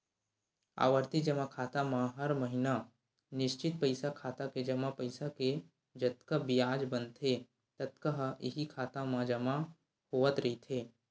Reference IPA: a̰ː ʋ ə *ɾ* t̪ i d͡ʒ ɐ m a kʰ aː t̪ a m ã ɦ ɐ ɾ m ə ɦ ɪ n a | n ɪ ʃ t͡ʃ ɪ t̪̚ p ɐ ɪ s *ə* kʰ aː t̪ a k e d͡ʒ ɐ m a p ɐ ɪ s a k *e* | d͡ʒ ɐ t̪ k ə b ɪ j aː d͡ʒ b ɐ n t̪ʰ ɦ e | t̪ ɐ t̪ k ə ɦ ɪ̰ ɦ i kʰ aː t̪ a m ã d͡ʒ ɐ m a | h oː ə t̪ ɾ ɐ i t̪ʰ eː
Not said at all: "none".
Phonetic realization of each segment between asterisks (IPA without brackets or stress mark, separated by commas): ɾ, a, e